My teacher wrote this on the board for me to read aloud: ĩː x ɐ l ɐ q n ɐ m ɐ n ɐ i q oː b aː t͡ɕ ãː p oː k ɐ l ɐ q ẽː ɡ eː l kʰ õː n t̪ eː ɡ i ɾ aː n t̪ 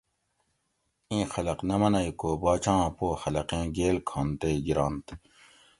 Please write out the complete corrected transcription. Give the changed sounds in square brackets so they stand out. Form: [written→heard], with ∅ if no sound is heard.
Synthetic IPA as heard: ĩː x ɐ l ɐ q n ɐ m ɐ n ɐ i [q→k] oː b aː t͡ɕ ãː p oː [k→x] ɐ l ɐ q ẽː ɡ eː l kʰ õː n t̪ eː ɡ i ɾ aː n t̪